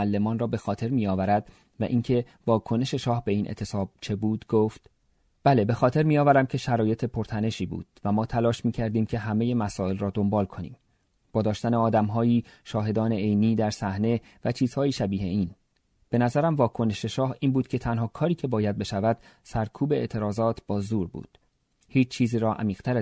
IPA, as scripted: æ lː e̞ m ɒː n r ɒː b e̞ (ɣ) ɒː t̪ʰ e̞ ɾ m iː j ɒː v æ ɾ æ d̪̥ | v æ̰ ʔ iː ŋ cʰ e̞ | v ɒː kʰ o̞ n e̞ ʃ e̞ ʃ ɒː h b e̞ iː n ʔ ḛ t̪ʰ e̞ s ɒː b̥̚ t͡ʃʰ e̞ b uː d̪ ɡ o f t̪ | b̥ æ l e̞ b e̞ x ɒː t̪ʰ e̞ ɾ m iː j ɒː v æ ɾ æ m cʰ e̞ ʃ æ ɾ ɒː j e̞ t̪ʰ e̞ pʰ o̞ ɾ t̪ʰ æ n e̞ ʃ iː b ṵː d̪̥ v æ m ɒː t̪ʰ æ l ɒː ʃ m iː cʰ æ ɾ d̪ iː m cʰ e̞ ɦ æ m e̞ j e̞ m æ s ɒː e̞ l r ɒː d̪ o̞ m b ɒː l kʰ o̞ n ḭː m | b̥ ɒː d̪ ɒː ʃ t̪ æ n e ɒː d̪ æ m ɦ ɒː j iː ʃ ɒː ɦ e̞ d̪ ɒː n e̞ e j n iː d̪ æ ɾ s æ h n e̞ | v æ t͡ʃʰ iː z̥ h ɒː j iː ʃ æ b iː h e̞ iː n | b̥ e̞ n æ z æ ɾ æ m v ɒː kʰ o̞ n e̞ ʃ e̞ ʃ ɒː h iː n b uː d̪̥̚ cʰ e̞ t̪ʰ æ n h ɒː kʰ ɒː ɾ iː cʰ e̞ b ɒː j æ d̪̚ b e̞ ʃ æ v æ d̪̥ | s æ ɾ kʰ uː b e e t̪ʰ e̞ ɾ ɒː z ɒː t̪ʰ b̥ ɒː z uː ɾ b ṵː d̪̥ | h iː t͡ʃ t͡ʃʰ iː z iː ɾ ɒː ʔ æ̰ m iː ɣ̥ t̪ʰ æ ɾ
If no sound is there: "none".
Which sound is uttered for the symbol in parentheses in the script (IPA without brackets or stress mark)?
x